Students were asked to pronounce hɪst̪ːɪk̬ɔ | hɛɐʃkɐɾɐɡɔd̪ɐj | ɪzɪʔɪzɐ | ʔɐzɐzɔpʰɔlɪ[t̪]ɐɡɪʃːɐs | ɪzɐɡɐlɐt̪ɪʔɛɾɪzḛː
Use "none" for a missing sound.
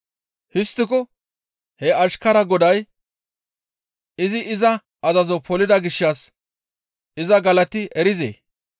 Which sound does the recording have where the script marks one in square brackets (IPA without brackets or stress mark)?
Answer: d̪